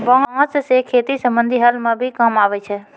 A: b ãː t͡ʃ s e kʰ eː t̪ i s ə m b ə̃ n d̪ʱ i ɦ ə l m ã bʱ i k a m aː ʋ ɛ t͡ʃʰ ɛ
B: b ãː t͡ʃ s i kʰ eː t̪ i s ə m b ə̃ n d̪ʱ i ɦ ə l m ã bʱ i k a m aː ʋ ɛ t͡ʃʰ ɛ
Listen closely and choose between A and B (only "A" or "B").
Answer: A